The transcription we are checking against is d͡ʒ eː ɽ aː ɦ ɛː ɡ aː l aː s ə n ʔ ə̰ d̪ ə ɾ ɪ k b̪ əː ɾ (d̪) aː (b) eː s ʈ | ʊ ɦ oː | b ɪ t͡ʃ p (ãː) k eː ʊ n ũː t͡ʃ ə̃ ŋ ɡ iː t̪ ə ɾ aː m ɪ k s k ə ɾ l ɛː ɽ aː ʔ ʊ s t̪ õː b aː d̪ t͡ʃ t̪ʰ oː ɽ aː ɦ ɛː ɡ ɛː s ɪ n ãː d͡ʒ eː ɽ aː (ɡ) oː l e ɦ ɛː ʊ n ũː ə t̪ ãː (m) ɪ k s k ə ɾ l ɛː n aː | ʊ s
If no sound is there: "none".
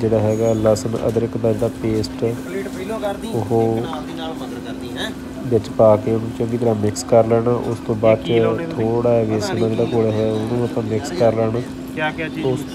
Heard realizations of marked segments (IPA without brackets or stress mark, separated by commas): d̪, p, aː, k, m